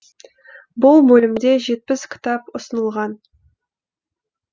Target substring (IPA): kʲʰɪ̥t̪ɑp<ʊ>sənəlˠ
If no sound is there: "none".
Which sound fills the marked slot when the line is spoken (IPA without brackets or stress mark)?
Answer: ʊ